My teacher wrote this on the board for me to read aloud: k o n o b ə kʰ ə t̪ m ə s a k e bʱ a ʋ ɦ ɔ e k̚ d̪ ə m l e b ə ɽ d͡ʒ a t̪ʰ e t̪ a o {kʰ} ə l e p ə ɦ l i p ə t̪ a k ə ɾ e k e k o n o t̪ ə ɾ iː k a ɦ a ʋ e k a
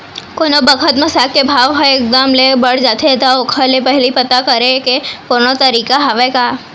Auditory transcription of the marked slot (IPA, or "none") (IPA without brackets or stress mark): kʰ